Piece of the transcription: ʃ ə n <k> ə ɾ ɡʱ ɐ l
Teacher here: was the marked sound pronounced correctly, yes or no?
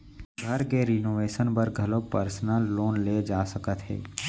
no